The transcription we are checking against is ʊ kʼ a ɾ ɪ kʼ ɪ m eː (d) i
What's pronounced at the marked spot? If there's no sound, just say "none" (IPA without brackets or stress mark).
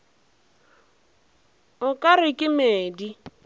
d